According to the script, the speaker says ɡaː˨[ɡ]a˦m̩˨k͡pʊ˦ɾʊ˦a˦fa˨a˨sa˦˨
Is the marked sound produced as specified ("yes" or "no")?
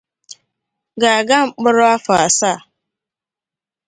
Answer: yes